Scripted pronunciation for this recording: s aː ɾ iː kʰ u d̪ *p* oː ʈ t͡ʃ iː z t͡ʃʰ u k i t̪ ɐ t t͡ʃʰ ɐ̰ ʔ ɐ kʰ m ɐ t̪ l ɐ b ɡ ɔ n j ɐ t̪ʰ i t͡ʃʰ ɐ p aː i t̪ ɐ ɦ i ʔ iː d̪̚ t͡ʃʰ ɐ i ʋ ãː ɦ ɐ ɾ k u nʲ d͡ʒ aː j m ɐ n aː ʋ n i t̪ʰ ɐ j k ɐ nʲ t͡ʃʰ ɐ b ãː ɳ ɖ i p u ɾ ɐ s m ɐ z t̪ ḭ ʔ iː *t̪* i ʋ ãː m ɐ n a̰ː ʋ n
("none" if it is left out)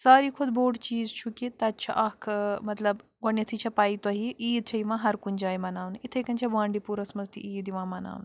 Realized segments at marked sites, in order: b, d̪

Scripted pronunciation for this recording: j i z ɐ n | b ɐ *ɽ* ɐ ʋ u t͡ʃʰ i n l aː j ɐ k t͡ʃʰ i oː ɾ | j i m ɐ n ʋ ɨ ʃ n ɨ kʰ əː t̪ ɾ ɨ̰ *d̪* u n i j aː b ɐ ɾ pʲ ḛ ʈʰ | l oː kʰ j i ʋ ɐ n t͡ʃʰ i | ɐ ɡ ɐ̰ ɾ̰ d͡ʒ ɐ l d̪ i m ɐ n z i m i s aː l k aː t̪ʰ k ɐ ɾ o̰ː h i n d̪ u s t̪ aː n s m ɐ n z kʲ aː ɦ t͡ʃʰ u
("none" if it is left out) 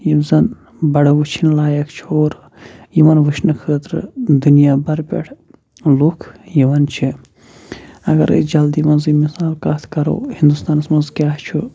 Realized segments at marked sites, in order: ɽ, d̪

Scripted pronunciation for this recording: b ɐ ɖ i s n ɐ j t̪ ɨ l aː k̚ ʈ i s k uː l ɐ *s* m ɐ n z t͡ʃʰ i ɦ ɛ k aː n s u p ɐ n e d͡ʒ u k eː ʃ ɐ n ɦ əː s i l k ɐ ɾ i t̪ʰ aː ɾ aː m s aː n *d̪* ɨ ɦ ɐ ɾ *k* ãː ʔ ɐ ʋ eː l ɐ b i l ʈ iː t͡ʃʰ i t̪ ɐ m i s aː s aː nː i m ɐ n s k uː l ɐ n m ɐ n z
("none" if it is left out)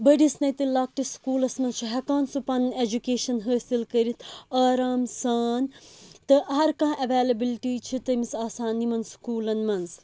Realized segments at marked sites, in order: s, t̪, k

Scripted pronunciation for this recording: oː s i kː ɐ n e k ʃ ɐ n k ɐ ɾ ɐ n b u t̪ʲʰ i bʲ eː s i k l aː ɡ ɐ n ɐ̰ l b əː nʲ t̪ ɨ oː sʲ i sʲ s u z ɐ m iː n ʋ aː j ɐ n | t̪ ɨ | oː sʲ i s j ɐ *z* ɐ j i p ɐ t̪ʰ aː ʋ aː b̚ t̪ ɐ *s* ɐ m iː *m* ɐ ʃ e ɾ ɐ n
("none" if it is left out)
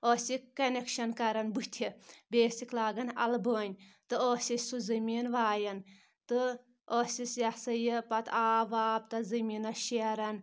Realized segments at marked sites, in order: s, z, n

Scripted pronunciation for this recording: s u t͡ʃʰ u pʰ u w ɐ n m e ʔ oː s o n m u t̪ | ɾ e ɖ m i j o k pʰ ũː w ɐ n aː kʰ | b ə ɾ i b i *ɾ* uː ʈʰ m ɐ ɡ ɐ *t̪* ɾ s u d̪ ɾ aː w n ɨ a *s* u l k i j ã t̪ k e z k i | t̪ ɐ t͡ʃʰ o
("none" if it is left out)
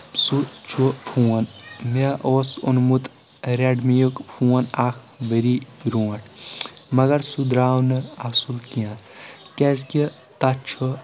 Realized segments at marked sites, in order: ɾ, none, s

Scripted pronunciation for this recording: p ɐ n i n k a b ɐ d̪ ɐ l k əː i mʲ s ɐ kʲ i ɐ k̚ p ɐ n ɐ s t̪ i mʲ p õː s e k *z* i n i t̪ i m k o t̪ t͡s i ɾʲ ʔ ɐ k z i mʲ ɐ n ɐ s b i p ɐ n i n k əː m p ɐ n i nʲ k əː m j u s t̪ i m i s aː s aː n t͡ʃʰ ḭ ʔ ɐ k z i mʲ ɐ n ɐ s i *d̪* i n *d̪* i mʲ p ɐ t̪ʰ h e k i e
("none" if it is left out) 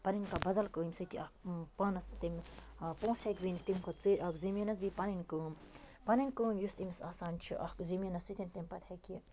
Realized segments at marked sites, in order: z, t̪, t̪

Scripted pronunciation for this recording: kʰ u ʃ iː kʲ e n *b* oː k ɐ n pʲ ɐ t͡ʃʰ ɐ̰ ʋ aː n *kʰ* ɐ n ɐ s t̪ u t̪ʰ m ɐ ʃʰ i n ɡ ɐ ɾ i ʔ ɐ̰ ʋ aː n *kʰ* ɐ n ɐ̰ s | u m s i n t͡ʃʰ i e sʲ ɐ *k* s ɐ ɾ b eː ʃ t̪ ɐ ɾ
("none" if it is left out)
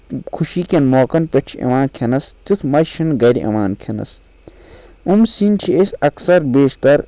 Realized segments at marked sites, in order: m, kʰ, kʰ, k

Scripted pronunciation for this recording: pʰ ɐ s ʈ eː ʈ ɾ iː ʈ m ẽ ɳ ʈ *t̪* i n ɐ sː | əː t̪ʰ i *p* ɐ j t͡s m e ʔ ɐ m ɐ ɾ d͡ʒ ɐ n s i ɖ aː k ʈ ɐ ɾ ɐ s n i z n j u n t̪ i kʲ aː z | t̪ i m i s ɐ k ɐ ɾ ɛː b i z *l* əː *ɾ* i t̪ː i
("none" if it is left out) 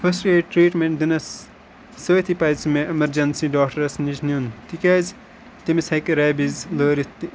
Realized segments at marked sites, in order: d̪, p, l, ɾ

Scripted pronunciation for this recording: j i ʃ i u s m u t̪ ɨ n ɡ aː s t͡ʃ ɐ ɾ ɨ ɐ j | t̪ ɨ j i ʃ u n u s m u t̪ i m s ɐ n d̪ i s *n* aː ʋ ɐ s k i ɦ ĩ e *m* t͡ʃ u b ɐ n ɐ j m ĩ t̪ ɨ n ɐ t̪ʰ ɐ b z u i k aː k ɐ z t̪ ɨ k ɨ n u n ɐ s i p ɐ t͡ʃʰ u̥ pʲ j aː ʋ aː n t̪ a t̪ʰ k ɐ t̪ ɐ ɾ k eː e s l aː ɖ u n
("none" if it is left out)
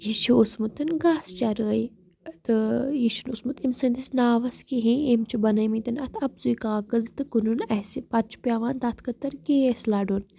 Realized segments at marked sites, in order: n, m

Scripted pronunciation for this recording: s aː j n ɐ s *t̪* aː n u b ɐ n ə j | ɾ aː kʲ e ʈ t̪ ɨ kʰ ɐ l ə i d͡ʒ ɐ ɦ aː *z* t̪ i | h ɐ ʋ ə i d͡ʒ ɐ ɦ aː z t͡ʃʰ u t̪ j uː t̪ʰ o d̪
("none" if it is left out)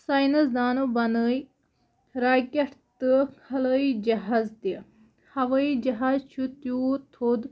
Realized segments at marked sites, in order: d̪, z

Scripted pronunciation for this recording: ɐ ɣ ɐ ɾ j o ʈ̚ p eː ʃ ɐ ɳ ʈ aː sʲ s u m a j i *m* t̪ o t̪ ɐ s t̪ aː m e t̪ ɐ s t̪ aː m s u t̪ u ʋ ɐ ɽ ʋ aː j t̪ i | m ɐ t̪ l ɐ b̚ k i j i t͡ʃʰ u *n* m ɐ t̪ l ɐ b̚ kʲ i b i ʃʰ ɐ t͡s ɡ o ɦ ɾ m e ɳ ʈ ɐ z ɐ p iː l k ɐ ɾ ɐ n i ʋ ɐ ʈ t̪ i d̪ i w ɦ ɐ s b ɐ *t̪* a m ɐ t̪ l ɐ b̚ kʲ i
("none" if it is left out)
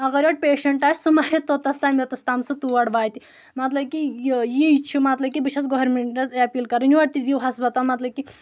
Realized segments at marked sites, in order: none, none, t̪

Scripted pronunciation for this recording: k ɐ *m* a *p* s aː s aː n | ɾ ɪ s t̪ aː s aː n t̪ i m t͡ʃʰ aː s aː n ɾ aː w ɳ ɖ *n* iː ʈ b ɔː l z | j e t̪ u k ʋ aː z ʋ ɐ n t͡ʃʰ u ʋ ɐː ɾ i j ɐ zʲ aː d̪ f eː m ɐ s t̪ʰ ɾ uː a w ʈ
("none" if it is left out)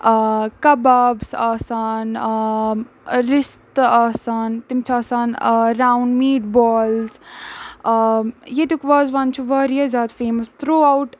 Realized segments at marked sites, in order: b, b, m

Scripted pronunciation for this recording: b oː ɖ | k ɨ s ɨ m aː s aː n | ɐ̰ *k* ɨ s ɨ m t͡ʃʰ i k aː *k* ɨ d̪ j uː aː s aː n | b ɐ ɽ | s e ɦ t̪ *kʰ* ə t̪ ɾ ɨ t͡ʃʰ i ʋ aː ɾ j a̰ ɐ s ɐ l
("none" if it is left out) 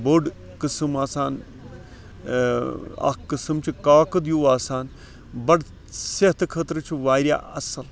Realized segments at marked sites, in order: k, k, kʰ

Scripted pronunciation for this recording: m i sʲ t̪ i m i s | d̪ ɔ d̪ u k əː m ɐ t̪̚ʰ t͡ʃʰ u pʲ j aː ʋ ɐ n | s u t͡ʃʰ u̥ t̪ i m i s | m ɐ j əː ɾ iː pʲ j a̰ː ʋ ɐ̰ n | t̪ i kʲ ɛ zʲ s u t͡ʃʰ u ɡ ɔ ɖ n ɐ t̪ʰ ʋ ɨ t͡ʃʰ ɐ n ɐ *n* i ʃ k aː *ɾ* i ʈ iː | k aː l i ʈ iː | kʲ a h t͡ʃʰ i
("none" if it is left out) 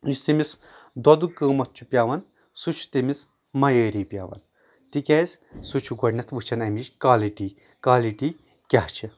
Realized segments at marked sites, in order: m, l

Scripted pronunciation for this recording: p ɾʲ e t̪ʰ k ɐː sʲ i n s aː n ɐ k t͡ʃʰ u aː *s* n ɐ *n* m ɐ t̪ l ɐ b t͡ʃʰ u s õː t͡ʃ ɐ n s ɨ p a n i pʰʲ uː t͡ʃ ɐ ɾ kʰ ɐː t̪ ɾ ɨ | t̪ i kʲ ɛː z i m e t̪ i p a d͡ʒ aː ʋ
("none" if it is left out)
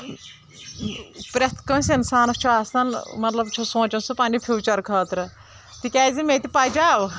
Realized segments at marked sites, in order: s, n

